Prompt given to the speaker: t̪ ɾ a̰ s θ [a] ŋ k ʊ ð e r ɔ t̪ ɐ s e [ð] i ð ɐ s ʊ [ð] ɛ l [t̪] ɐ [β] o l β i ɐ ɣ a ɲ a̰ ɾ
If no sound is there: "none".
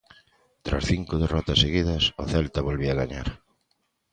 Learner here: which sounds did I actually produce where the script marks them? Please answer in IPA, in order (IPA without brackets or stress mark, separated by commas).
i, ɣ, θ, t̪, β